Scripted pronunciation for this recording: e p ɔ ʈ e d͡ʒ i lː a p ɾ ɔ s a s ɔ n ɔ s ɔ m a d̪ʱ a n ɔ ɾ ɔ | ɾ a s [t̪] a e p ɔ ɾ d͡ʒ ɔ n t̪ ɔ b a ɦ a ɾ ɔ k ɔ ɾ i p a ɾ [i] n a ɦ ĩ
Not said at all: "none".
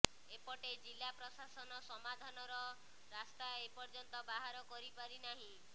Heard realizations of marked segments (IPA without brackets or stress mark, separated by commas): t̪, i